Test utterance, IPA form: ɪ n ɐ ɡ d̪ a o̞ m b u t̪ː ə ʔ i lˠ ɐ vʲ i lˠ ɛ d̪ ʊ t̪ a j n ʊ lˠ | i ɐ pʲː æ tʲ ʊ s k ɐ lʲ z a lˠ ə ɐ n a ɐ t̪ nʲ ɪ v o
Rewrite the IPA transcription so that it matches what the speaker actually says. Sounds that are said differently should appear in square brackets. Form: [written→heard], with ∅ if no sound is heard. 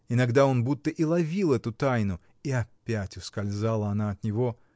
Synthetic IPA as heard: ɪ n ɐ ɡ d̪ a o̞ [m→n] b u t̪ː ə ʔ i lˠ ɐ vʲ i lˠ ɛ [d̪→t̪] ʊ t̪ a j n ʊ [lˠ→∅] | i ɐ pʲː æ tʲ ʊ s k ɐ lʲ z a lˠ ə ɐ n a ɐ t̪ nʲ ɪ v o